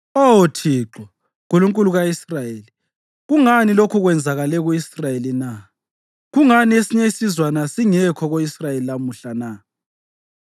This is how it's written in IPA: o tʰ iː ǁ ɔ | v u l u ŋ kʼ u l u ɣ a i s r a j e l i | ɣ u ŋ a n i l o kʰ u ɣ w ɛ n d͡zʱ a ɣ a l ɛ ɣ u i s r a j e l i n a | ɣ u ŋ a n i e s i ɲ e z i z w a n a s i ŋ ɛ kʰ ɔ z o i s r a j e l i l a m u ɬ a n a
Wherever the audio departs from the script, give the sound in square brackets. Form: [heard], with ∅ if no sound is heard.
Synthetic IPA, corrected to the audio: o tʰ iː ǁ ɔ | [ɣ] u l u ŋ kʼ u l u ɣ a i s r a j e l i | ɣ u ŋ a n i l o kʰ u ɣ w ɛ n d͡zʱ a ɣ a l ɛ ɣ u i s r a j e l i n a | ɣ u ŋ a n i e s i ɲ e [s] i z w a n a s i ŋ ɛ kʰ ɔ [ɣ] o i s r a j e l i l a m u ɬ a n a